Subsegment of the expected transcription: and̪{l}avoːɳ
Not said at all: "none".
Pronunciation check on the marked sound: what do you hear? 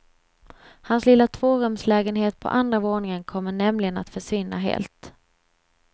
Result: ɾ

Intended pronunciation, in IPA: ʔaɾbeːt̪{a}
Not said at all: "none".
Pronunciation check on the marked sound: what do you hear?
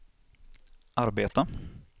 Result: a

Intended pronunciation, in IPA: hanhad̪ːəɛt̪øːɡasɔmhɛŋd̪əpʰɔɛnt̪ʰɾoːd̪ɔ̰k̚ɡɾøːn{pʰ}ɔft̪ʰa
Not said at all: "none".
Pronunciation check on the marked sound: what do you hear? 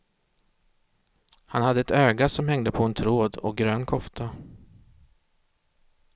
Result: kʰ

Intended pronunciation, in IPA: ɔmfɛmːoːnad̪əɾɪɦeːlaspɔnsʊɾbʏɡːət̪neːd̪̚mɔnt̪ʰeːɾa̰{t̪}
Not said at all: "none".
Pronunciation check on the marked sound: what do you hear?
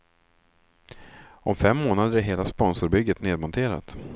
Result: t̪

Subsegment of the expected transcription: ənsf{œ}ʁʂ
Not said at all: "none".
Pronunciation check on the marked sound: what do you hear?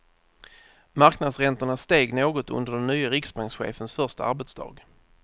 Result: œ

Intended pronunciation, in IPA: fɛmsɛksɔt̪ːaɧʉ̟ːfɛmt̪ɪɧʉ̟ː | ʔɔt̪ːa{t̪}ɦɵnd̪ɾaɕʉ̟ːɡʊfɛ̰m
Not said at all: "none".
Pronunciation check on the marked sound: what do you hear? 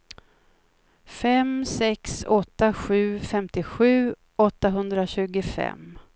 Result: none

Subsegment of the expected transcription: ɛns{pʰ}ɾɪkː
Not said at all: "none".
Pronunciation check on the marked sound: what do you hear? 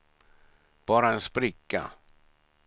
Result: p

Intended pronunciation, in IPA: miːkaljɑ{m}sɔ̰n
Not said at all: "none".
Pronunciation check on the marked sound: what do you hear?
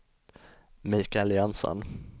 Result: n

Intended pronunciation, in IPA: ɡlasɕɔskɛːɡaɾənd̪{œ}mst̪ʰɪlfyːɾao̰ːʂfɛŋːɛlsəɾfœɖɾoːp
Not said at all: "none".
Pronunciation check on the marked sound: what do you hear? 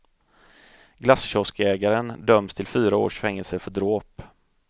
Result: œ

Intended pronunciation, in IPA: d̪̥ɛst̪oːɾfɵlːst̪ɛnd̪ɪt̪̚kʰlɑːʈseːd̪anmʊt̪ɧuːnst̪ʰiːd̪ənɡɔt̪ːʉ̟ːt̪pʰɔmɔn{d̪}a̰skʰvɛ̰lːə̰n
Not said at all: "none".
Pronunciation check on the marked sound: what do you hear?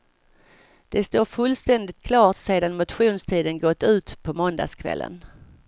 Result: d̪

